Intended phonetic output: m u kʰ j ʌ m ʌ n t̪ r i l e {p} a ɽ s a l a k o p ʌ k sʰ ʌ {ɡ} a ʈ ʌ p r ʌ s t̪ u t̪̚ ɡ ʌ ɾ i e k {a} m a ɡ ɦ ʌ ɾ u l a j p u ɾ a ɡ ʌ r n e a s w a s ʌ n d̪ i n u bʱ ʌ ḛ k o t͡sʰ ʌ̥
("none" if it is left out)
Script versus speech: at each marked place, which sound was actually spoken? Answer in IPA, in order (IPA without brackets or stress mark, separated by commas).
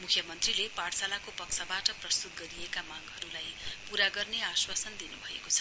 p, b, a